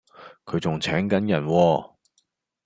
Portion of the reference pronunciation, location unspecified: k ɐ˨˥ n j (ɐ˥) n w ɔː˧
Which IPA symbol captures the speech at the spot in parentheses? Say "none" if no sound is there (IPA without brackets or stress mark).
ɐ˨˩